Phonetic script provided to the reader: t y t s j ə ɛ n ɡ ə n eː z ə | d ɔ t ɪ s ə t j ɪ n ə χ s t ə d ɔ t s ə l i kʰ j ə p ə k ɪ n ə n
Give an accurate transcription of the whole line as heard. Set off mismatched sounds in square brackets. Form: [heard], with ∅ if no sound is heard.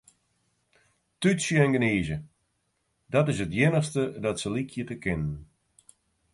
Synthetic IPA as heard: t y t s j ə ɛ n ɡ ə n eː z ə | d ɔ t ɪ s ə t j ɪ n ə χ s t ə d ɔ t s ə l i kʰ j ə [t] ə k ɪ n ə n